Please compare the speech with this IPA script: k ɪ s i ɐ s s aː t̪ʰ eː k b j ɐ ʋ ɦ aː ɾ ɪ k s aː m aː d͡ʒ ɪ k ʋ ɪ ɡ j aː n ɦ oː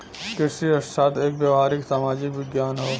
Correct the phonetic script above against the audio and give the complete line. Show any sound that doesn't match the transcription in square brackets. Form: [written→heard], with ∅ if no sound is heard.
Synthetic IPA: k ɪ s i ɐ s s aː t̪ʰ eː k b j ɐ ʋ ɦ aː ɾ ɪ k s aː m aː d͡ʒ ɪ k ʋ ɪ ɡ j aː n ɦ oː